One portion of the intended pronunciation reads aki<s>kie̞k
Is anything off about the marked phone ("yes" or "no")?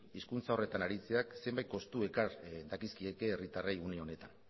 no